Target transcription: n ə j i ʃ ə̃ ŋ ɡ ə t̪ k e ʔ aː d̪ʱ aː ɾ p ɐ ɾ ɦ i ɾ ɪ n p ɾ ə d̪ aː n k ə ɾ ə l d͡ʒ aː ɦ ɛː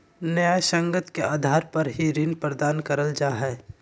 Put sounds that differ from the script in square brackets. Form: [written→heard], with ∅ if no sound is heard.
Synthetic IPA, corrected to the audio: n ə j [i→a] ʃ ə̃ ŋ ɡ ə t̪ k e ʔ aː d̪ʱ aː ɾ p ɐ ɾ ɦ i ɾ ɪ n p ɾ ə d̪ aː n k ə ɾ ə l d͡ʒ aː ɦ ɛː